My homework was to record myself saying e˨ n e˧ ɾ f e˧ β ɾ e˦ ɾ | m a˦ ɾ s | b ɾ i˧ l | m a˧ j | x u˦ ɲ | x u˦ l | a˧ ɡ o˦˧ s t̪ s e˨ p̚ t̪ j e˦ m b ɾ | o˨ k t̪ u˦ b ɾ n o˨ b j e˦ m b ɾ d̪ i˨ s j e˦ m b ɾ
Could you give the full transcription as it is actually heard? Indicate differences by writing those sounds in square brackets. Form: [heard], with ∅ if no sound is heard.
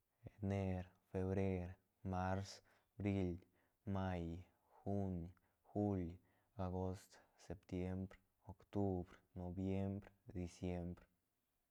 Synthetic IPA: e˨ n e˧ ɾ f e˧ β ɾ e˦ ɾ | m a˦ ɾ s | b ɾ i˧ l | m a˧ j | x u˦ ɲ | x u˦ l | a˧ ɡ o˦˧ s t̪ s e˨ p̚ t̪ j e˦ m b ɾ | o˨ k t̪ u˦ b ɾ n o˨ b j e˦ m b ɾ d̪ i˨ s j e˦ m b ɾ